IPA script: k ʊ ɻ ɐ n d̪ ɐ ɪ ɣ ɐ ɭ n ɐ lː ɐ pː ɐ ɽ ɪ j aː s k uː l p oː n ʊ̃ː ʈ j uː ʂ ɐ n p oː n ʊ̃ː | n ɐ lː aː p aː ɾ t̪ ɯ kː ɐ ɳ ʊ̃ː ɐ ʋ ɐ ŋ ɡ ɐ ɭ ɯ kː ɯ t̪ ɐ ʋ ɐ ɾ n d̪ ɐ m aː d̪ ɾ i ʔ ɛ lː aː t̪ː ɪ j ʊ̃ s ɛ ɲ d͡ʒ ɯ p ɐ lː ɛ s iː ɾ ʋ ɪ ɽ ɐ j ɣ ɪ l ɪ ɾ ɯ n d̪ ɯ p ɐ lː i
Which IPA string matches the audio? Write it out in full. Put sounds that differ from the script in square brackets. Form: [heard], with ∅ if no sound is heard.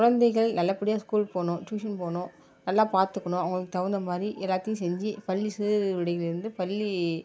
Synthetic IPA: k ʊ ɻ ɐ n d̪ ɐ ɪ ɣ ɐ ɭ n ɐ lː ɐ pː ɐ ɽ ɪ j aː s k uː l p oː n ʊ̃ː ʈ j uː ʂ ɐ n p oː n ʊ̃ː | n ɐ lː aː p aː ɾ t̪ ɯ kː ɐ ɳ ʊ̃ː ɐ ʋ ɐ ŋ ɡ ɐ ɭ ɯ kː ɯ t̪ ɐ ʋ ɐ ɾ n d̪ ɐ m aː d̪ ɾ i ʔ ɛ lː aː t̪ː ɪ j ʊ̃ s ɛ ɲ d͡ʒ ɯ p ɐ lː [i] s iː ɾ ʋ ɪ ɽ ɐ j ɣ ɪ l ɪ ɾ ɯ n d̪ ɯ p ɐ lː i